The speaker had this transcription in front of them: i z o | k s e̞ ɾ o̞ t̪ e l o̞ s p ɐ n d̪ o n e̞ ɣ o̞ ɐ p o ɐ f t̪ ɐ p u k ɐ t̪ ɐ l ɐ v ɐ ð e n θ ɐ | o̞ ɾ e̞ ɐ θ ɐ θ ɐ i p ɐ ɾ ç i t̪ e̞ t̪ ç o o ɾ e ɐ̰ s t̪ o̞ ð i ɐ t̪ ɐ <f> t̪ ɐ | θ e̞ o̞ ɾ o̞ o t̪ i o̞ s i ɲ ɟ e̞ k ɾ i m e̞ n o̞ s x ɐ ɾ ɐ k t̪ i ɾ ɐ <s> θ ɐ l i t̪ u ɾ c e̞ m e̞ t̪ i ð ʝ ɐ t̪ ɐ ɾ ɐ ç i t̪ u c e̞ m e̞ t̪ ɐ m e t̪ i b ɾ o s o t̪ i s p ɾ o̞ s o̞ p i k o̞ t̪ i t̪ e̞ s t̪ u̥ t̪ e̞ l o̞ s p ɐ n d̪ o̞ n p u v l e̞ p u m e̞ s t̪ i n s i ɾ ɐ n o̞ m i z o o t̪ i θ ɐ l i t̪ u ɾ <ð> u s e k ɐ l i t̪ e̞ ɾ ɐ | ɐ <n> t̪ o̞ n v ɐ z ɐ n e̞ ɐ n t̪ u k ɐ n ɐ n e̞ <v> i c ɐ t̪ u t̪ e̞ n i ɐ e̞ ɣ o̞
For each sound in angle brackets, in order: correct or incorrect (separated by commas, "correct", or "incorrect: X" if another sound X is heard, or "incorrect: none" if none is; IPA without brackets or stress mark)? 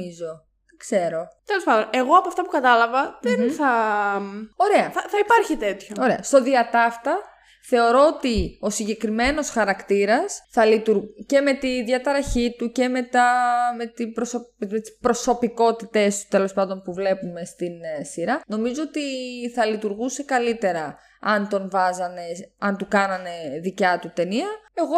correct, correct, incorrect: ɣ, correct, incorrect: ð